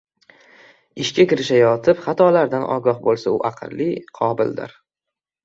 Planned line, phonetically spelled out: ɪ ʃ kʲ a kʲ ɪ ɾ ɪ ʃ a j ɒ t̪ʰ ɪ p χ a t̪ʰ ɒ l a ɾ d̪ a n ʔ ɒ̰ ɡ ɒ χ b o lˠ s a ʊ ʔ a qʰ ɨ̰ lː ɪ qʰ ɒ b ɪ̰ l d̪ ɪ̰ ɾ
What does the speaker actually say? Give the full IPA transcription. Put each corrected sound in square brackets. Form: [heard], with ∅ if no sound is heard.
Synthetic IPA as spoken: ɪ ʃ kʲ a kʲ ɪ ɾ ɪ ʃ a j ɒ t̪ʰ ɪ p χ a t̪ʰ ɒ l a ɾ d̪ a n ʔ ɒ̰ ɡ ɒ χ b o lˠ s a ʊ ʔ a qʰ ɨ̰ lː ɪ qʰ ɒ b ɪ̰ l d̪ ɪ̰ ɾ